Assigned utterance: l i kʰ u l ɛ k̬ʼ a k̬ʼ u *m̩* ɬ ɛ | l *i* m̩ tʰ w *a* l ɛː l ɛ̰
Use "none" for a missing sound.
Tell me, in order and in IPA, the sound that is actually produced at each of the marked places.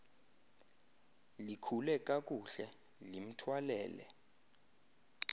none, i, a

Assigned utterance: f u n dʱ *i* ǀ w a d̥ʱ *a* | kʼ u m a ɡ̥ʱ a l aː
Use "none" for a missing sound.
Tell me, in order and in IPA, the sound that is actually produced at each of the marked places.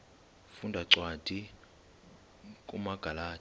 a, i

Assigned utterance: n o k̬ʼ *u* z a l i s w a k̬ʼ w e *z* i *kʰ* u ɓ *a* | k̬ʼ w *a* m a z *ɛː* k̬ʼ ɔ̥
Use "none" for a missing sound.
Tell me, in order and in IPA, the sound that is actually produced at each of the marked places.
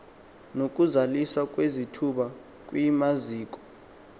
u, z, tʰ, a, i, iː

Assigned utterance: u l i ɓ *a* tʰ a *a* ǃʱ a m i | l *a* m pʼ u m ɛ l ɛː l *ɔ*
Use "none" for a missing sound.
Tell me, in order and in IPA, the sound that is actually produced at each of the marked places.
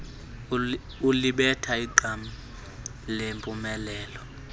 ɛ, i, e, ɔ

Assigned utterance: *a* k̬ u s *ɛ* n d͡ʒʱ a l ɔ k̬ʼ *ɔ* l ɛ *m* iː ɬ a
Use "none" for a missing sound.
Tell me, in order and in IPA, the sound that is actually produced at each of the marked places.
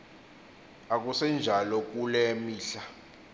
a, ɛ, u, m

